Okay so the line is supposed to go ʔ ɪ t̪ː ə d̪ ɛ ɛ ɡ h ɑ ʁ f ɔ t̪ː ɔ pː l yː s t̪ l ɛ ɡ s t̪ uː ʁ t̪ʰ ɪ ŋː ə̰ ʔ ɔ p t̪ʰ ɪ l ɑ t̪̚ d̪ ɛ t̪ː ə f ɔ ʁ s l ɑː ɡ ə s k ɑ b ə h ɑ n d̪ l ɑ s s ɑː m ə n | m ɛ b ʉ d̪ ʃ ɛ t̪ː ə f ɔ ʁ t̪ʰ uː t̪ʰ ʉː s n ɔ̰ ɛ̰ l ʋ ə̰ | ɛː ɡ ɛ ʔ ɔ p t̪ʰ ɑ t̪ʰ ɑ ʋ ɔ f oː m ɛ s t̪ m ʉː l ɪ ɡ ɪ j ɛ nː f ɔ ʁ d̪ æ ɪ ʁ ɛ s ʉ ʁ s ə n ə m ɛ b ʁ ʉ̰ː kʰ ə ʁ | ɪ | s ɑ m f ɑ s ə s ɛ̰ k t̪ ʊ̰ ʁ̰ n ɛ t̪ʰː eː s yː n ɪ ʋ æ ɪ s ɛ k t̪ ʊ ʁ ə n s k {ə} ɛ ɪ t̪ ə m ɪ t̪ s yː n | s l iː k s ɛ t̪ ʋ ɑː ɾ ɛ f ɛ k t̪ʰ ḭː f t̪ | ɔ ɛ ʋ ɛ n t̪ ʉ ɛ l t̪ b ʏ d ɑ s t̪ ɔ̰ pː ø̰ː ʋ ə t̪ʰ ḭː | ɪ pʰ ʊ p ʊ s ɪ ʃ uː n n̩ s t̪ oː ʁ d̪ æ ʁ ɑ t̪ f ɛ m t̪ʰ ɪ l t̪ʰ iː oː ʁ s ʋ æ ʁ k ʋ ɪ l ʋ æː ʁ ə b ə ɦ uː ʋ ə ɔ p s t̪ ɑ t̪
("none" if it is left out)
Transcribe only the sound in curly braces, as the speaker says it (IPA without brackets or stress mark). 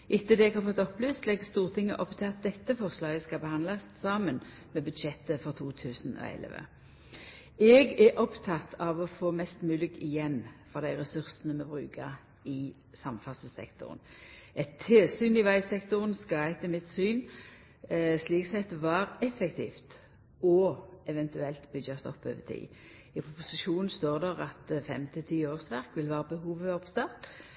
ɑ